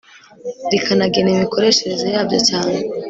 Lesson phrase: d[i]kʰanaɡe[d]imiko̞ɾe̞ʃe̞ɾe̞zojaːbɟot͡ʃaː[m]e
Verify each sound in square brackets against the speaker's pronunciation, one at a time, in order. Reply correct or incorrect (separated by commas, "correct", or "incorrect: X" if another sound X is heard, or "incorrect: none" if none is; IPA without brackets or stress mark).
correct, incorrect: n, incorrect: n